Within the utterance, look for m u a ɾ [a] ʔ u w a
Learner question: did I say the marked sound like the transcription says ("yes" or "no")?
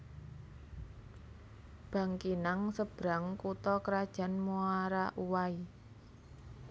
yes